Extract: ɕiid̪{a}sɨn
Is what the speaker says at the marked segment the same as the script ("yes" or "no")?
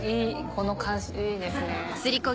no